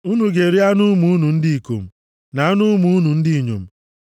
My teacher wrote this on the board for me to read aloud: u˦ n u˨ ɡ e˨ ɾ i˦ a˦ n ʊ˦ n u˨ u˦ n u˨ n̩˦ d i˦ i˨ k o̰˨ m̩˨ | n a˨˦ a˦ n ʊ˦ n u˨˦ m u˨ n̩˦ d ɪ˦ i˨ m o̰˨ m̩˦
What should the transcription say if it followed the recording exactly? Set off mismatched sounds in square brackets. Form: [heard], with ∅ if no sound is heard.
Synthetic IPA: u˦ n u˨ ɡ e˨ ɾ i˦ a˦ n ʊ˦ [m] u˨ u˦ n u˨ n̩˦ d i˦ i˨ k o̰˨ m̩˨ | n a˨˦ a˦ n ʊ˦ [m] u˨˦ [n] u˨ n̩˦ d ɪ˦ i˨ [ɲ] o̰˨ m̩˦